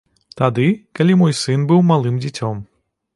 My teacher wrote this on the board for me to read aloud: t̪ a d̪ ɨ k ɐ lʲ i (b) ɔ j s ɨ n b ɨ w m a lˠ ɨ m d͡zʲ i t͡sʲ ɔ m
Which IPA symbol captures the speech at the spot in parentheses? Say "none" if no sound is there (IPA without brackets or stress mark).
m